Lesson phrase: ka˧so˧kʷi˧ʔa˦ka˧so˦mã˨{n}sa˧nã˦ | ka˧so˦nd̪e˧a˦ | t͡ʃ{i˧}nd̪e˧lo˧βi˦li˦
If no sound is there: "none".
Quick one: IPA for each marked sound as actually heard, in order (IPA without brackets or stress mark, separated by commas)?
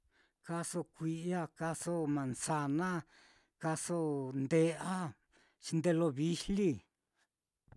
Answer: n, i˧